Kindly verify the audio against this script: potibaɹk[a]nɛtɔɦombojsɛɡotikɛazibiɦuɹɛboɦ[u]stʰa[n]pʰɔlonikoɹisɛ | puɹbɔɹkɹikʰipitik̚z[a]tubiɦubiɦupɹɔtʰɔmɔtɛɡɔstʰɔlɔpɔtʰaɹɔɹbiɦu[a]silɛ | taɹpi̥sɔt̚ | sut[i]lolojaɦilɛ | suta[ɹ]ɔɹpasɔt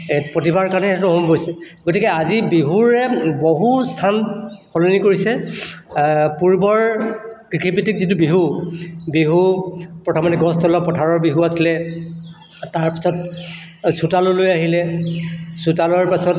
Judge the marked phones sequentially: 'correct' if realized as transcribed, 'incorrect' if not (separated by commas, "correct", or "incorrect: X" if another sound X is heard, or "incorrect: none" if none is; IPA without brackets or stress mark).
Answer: correct, correct, correct, incorrect: i, correct, incorrect: a, incorrect: l